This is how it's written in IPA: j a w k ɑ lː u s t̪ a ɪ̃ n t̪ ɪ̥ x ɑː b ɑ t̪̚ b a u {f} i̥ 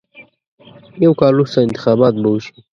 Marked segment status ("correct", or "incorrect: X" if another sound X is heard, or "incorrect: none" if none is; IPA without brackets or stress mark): incorrect: ʃ